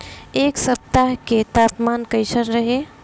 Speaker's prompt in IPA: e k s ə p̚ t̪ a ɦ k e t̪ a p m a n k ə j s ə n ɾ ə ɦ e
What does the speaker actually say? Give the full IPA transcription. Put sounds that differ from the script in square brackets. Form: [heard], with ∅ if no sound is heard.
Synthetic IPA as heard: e k s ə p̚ t̪ a ɦ k e t̪ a p m a n k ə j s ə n ɾ ə ɦ e